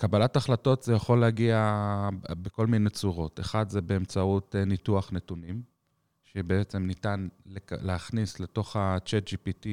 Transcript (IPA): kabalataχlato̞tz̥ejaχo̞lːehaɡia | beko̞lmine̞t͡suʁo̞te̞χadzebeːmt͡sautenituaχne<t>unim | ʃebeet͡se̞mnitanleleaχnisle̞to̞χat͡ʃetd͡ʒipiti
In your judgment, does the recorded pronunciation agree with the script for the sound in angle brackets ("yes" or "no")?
yes